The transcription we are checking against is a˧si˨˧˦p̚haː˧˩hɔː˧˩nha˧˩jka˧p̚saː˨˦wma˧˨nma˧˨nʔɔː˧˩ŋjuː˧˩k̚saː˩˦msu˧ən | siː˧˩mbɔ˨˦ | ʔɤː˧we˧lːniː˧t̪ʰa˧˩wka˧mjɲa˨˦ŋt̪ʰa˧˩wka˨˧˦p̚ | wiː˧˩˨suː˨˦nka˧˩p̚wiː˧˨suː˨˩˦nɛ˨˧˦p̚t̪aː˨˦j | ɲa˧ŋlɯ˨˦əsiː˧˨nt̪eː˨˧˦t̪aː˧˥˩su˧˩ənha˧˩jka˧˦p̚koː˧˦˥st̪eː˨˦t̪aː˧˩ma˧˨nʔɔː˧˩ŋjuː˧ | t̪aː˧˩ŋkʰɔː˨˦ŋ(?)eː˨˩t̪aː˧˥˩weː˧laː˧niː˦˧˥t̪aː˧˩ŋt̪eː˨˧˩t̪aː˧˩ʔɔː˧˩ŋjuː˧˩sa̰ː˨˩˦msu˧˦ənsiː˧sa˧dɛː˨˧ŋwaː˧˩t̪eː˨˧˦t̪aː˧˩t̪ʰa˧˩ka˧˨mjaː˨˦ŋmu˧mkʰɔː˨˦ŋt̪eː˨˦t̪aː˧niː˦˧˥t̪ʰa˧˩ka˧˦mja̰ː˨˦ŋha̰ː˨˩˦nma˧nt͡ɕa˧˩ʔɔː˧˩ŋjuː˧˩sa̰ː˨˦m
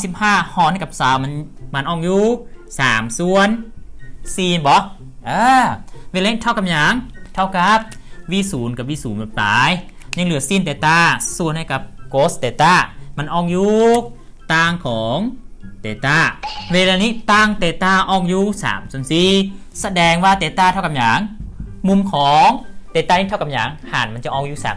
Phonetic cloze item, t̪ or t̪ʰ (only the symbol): t̪